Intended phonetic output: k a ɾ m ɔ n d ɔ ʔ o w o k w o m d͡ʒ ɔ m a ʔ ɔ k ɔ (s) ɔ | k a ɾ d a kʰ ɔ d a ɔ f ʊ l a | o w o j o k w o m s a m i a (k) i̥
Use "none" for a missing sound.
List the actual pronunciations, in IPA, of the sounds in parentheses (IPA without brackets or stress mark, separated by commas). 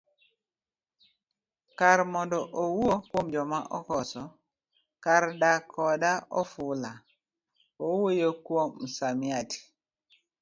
s, t